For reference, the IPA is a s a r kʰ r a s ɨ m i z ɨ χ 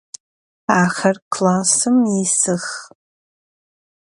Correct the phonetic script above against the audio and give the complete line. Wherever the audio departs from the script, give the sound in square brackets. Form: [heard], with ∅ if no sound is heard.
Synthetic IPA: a [χ] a r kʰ [l] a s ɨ m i [s] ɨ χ